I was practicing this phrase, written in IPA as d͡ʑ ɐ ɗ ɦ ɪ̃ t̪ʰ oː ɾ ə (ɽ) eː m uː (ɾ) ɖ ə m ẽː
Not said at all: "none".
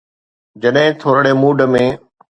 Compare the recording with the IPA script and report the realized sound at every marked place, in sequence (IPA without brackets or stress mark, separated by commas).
ɽ, none